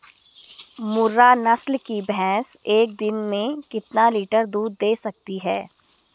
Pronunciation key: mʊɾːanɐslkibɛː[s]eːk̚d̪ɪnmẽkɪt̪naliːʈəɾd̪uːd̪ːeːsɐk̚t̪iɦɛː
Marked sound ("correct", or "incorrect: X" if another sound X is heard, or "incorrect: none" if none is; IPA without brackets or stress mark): correct